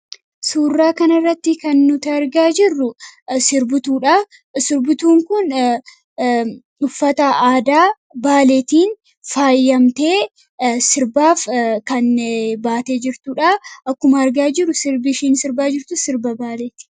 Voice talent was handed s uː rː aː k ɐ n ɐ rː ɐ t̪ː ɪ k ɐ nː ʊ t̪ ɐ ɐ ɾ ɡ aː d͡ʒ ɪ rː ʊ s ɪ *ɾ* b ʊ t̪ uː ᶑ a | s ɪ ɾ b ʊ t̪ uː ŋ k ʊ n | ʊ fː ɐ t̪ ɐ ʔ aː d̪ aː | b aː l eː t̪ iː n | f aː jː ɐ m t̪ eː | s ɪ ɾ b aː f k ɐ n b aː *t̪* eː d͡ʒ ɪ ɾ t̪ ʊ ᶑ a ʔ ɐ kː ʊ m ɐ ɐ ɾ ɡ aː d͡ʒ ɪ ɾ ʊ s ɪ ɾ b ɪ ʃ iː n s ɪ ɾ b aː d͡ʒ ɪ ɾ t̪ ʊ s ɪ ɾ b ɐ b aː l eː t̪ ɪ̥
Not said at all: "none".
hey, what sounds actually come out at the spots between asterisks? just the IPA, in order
ɾ, t̪

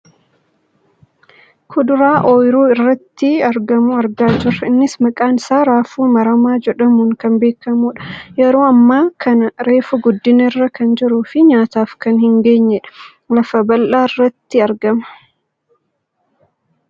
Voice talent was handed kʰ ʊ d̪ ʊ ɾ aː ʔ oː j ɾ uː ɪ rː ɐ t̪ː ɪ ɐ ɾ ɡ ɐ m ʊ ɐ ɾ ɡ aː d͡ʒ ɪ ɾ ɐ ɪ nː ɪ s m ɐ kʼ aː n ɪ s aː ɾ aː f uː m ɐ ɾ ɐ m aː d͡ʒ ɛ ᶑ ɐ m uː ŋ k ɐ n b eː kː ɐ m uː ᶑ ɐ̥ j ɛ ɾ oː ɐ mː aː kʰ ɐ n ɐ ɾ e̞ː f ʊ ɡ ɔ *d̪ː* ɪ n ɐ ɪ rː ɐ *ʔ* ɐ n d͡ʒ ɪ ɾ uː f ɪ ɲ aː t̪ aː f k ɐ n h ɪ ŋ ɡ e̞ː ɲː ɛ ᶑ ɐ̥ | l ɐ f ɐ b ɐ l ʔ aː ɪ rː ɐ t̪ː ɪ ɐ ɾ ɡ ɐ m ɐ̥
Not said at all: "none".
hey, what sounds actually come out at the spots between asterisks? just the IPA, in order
d̪ː, k

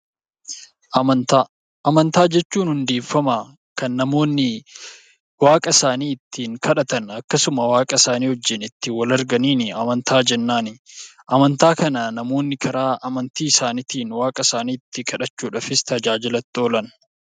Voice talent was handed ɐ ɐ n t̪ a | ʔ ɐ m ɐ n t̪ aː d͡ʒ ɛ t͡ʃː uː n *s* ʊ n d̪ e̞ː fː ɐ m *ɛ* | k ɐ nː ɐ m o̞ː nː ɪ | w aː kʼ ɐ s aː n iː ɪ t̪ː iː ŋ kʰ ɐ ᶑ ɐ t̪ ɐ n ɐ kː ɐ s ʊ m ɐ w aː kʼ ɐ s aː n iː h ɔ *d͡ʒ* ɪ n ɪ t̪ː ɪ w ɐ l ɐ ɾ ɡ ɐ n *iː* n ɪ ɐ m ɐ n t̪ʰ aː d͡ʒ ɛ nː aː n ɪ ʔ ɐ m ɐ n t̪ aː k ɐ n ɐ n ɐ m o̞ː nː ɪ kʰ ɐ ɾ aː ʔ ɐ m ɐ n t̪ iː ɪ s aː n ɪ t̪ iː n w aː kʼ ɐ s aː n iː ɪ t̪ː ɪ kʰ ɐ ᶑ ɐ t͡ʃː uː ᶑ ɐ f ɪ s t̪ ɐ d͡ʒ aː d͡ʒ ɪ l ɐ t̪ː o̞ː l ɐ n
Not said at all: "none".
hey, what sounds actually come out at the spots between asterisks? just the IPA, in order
h, a, d͡ʒː, iː

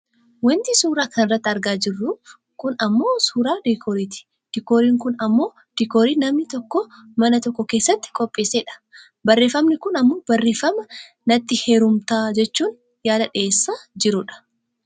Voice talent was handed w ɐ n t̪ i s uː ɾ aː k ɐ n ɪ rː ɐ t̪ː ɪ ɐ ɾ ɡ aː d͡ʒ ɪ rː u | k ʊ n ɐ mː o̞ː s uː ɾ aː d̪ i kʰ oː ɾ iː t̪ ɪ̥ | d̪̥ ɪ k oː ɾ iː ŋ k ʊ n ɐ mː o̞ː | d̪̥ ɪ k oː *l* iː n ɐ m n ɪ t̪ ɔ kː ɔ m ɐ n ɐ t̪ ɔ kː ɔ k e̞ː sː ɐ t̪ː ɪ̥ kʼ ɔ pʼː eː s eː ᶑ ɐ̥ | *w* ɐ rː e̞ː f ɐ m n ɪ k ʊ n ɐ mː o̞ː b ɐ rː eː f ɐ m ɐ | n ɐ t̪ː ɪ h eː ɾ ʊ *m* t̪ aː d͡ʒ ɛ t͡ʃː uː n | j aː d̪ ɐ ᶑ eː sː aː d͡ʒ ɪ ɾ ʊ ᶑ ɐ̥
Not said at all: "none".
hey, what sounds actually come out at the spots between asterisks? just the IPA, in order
ɾ, b, m

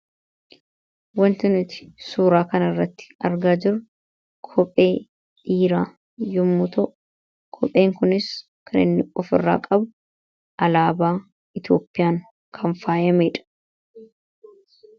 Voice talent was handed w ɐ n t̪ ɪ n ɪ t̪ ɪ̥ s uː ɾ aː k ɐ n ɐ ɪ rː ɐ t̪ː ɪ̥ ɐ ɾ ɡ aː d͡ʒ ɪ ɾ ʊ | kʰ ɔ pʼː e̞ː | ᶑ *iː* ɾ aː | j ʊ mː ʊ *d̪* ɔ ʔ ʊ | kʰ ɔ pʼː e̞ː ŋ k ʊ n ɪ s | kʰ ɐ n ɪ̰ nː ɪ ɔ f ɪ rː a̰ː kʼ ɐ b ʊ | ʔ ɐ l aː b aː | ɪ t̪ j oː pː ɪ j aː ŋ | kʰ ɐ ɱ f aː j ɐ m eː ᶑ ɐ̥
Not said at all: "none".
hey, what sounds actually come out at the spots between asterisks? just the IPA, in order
iː, t̪

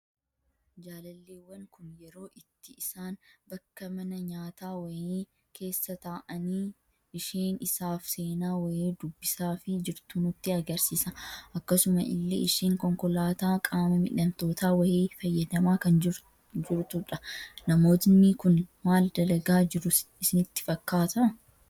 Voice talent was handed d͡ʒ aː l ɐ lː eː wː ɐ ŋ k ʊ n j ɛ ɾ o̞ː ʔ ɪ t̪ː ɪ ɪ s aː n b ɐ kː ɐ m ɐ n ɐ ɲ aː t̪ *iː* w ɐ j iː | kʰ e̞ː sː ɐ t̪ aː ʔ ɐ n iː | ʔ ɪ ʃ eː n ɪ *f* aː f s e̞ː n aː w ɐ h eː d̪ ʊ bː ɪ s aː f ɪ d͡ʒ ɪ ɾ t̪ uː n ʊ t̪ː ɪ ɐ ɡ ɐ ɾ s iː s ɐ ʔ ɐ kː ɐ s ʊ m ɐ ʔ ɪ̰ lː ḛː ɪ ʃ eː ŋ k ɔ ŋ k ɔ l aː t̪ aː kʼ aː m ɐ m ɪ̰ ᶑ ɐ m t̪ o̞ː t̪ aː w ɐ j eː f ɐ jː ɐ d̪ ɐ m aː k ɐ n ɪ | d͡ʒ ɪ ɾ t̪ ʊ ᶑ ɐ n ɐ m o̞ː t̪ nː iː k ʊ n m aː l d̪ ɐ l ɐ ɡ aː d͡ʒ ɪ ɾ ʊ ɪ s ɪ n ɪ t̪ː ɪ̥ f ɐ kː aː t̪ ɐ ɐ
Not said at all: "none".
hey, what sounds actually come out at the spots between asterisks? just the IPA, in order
aː, s

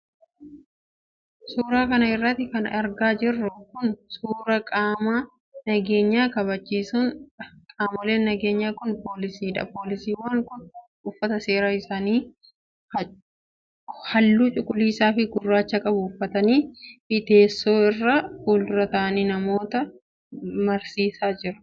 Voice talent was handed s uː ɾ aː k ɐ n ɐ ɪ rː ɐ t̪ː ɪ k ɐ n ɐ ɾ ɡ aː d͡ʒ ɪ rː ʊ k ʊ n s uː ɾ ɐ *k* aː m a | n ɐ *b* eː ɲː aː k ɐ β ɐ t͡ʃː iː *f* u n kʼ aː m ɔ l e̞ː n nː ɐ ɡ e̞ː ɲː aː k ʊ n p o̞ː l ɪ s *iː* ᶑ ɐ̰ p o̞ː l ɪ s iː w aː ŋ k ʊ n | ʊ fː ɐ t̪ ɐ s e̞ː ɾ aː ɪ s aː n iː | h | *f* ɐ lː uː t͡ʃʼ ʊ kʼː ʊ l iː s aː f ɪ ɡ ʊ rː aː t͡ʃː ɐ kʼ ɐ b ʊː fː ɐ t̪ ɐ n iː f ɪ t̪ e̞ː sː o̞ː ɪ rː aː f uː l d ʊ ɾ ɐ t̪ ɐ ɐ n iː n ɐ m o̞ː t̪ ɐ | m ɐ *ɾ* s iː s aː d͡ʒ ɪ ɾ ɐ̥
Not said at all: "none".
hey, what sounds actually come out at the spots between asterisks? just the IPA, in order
kʼ, ɡ, s, iː, h, ɾ

